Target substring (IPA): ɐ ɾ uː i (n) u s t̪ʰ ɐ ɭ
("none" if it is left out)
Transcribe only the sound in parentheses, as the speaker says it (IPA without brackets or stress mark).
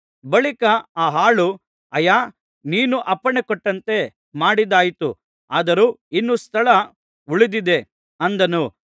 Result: nː